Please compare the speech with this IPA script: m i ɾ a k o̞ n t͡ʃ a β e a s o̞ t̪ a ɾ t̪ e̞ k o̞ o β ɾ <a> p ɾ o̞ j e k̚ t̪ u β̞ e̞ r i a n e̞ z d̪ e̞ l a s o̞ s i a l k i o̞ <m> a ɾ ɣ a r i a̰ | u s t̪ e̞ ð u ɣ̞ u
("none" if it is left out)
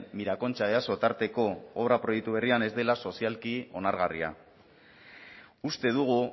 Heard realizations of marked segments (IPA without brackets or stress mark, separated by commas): a, n